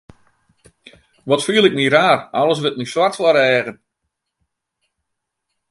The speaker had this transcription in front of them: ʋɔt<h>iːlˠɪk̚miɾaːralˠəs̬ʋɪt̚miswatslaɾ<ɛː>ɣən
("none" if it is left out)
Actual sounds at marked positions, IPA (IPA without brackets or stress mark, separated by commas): f, ɛː